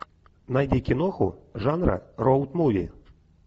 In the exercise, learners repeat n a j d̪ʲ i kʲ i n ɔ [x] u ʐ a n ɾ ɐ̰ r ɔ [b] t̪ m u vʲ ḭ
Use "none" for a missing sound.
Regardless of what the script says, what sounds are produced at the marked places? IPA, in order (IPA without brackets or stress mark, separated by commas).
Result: x, w